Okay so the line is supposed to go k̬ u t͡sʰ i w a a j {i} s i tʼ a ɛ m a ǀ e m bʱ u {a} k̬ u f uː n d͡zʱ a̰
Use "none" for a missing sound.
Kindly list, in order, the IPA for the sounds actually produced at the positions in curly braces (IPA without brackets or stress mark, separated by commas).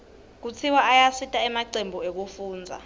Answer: a, e